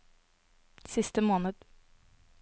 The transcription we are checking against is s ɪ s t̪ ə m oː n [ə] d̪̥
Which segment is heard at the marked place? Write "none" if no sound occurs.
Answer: ə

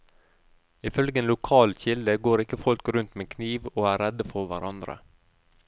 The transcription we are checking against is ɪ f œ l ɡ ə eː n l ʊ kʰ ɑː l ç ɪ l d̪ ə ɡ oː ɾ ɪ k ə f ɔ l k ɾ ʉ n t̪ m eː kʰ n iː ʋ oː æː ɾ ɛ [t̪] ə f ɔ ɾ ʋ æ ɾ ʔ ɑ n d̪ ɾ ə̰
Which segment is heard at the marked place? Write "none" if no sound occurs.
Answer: d̪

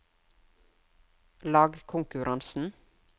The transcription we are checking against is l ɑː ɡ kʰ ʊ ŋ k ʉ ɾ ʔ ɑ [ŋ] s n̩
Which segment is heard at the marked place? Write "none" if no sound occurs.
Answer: n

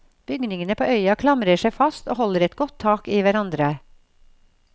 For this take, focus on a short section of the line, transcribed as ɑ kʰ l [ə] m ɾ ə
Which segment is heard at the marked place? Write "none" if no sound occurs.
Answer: ɑ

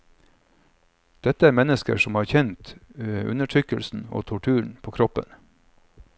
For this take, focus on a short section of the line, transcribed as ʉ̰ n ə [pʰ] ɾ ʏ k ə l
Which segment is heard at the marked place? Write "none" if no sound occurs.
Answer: ʈʰ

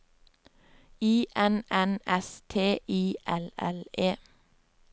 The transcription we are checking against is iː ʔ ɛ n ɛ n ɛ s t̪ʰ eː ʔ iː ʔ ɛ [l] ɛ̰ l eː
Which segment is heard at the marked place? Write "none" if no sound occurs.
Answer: l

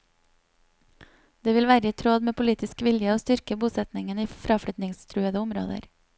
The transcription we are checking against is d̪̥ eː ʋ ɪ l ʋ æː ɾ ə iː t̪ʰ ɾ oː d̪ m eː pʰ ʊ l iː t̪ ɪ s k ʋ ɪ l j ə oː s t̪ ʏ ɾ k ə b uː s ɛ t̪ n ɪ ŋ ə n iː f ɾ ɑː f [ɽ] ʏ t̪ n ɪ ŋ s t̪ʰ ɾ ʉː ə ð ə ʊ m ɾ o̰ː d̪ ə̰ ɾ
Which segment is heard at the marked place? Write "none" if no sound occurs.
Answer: ɽ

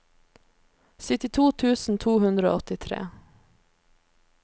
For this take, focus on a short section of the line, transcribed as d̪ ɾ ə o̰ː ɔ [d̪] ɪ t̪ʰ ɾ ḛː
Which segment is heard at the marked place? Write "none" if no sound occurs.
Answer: t̪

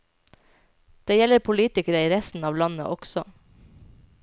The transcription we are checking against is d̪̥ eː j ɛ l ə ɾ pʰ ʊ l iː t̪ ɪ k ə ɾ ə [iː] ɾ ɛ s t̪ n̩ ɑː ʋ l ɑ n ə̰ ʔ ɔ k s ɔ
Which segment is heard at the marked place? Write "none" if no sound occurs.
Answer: iː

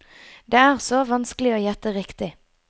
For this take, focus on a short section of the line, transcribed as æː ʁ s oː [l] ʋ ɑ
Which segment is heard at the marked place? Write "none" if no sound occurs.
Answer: none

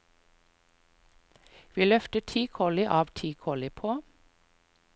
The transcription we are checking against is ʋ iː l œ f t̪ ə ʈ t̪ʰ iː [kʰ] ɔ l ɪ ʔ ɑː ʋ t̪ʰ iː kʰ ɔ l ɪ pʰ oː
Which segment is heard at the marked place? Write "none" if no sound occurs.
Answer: kʰ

